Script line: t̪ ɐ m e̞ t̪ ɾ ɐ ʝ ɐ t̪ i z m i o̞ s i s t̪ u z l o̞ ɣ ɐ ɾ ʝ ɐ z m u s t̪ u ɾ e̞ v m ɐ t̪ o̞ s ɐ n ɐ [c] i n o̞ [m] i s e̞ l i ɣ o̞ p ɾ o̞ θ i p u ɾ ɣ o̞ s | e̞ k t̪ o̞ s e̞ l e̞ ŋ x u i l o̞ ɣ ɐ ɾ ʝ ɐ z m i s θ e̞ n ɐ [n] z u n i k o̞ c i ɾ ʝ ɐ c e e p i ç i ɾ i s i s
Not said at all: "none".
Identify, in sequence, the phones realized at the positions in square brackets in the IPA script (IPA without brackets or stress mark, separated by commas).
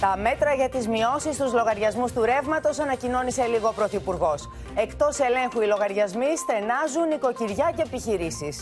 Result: c, n, none